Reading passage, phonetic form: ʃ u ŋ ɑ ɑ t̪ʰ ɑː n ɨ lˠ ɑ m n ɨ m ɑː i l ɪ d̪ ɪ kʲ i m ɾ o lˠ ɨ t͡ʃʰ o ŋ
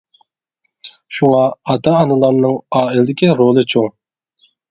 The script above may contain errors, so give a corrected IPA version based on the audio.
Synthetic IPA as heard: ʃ u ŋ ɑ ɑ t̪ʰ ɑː n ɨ lˠ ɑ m n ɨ ŋ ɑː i l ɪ d̪ ɪ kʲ i ɾ o lˠ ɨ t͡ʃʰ o ŋ